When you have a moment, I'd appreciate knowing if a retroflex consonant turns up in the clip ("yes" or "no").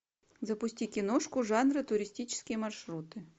yes